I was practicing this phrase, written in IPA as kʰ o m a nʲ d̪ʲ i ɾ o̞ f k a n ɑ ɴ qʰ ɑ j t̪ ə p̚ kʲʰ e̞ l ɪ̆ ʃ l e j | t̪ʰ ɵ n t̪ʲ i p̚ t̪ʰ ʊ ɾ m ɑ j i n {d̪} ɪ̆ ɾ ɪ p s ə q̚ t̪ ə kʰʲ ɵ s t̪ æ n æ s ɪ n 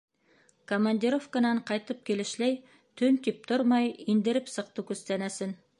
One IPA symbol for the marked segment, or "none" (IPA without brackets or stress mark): d̪